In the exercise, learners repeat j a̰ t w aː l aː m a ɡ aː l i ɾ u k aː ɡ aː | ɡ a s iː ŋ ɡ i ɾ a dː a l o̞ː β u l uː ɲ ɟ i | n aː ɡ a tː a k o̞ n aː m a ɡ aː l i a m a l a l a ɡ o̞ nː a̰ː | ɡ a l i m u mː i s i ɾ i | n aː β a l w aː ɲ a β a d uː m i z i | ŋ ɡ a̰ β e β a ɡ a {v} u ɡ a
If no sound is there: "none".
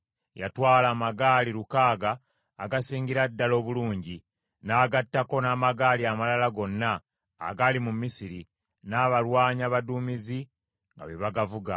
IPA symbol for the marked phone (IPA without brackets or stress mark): v